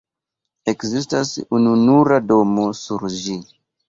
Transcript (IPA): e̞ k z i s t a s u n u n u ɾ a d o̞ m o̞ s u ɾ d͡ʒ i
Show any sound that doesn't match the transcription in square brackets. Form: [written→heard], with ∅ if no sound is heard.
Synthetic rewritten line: e̞ k z i s t a s u n u n u ɾ a d o̞ m o̞ s u ɾ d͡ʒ i